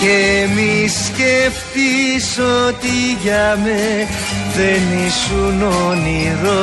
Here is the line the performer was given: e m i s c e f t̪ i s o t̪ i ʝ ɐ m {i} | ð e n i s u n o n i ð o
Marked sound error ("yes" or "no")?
yes